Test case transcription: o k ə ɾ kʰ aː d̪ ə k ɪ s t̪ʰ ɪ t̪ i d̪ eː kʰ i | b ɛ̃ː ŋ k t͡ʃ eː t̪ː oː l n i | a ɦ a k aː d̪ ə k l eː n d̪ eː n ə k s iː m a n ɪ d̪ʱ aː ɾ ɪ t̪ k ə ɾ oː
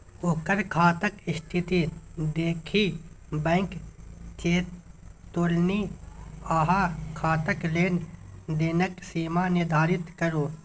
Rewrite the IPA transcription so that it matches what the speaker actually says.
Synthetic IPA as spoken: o k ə ɾ kʰ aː t̪ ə k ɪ s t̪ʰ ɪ t̪ i d̪ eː kʰ i | b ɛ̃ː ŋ k t͡ʃ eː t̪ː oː l n i | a ɦ a kʰ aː t̪ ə k l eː n d̪ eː n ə k s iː m a n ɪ d̪ʱ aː ɾ ɪ t̪ k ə ɾ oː